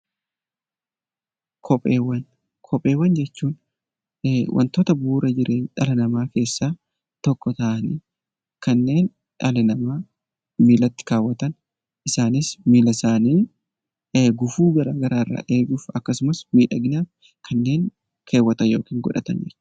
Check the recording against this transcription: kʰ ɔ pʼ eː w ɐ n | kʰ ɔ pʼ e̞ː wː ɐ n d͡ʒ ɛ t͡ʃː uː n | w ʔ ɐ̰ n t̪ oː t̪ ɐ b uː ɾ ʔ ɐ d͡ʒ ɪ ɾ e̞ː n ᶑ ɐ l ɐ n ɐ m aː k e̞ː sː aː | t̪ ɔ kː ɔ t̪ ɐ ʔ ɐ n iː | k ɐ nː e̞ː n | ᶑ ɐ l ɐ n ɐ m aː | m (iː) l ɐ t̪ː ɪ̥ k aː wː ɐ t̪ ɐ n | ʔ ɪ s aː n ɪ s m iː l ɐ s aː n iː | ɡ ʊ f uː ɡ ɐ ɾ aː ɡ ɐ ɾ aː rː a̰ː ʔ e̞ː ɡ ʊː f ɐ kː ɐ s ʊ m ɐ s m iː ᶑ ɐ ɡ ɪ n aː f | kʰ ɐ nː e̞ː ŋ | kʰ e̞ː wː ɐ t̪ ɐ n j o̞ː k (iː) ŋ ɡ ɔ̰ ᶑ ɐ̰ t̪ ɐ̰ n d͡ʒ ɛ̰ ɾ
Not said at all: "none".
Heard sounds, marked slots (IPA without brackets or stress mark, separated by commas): iː, iː